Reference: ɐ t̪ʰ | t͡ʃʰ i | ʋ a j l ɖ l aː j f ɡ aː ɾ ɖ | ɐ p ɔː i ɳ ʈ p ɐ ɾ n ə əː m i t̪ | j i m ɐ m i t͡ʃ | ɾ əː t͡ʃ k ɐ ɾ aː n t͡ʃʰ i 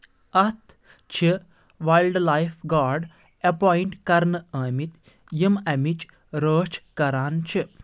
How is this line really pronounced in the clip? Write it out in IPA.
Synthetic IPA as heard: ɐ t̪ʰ | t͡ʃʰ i | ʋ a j l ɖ l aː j f ɡ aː ɾ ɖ | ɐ p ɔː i ɳ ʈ k ɐ ɾ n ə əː m i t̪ | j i m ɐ m i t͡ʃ | ɾ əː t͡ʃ k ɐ ɾ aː n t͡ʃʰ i